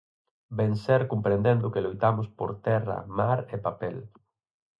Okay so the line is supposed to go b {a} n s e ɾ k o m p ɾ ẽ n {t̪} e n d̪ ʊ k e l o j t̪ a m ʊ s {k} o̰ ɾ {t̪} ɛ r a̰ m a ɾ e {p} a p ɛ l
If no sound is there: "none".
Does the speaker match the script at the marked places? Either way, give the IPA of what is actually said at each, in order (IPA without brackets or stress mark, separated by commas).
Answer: e, d̪, p, t̪, p